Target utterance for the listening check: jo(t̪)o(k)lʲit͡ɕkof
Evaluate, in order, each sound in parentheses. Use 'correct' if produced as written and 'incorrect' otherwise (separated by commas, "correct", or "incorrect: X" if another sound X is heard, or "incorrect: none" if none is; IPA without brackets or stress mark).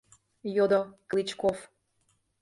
incorrect: d̪, correct